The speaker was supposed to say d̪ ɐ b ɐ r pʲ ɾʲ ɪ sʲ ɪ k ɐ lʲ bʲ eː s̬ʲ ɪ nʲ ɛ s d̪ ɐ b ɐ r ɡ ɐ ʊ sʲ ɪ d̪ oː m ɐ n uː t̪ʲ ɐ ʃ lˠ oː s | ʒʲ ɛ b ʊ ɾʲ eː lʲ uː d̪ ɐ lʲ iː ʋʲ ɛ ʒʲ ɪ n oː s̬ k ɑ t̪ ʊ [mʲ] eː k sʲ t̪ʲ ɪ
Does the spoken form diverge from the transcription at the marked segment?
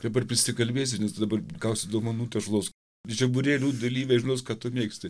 no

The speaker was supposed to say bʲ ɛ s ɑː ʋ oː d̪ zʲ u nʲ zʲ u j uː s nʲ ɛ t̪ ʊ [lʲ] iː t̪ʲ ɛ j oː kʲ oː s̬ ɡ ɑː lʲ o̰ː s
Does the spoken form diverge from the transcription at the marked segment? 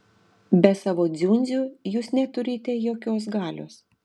yes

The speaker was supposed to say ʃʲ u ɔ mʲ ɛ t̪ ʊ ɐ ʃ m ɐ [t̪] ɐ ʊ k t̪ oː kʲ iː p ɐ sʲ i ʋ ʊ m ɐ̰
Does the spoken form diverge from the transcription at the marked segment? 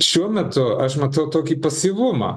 no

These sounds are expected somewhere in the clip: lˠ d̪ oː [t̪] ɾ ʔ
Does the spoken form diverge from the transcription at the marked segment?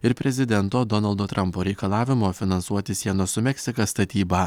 no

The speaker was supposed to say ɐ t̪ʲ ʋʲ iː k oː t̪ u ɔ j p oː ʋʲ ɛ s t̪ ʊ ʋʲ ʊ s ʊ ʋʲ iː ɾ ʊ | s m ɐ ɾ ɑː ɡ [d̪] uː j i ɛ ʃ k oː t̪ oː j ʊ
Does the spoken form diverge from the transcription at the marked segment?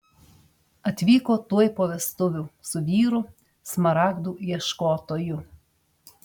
no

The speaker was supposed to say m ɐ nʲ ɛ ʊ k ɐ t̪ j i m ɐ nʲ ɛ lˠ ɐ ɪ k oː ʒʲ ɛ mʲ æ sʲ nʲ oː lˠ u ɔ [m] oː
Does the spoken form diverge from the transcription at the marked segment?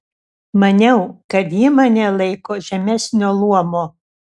no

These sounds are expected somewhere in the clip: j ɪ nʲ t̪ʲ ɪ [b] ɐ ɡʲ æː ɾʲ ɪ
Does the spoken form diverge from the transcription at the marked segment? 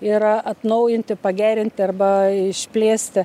yes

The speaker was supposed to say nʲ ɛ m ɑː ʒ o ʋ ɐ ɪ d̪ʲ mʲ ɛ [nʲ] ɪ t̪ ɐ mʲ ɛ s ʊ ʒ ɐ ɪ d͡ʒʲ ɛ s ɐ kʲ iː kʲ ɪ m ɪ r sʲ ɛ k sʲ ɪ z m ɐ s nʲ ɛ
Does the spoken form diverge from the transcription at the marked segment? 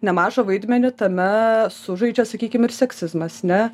no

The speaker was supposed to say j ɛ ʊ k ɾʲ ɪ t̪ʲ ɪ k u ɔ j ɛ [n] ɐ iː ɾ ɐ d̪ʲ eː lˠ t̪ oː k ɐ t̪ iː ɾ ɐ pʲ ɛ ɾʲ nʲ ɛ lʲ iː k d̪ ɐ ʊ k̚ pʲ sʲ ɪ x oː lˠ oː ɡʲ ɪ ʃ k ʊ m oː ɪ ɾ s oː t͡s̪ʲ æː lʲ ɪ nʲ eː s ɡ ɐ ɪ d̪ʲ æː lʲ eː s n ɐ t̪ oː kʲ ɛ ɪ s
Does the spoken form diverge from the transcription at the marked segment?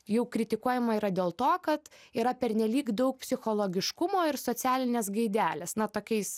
yes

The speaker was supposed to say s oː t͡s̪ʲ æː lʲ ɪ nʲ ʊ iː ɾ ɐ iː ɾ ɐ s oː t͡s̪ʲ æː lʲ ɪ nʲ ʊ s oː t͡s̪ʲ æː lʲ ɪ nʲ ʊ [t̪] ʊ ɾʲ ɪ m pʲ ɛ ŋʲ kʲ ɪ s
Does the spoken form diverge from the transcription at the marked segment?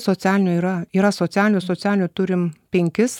no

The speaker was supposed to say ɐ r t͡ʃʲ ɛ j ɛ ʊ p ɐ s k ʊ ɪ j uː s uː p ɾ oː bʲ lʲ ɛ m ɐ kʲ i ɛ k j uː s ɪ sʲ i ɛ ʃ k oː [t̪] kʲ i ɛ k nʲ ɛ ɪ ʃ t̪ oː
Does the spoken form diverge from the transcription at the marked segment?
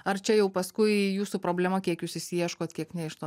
no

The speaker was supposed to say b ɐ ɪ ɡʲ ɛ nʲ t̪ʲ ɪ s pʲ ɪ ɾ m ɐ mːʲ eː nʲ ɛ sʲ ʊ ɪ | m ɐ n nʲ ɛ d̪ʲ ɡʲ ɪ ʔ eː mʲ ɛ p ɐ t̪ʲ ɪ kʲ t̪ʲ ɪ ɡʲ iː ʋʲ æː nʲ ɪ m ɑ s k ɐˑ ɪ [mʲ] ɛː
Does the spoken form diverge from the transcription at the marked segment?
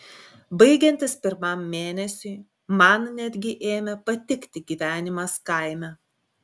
no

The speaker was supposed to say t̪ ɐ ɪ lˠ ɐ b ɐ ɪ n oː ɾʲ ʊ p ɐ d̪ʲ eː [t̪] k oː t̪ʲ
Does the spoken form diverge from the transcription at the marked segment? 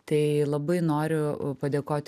yes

